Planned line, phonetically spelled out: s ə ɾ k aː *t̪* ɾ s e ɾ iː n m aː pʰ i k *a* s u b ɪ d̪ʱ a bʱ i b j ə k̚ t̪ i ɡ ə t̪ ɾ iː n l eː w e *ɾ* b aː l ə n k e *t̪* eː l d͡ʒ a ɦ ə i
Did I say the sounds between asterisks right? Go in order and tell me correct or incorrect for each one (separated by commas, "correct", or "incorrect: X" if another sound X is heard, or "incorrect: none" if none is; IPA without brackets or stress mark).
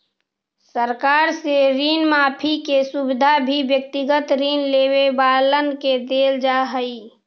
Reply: incorrect: none, incorrect: e, incorrect: none, incorrect: d̪